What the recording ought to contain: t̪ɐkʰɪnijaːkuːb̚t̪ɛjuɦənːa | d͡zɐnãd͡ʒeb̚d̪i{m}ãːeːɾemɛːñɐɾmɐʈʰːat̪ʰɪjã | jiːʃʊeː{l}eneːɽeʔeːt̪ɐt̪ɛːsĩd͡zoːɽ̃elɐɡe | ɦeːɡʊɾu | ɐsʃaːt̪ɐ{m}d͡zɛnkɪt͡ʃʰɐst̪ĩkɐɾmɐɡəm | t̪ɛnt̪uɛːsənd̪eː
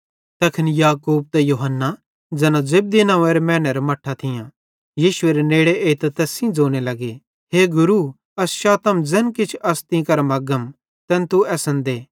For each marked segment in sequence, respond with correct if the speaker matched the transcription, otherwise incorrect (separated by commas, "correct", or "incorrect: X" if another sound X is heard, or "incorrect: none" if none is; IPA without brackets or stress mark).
incorrect: n, incorrect: ɾ, correct